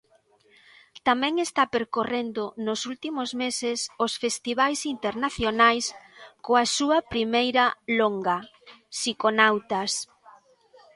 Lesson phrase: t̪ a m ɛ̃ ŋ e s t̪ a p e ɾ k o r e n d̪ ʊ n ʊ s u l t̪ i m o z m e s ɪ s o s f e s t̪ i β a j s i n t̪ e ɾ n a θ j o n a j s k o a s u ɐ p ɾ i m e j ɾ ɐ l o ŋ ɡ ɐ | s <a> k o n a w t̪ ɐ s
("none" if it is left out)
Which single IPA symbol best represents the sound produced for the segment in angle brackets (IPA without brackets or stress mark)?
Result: i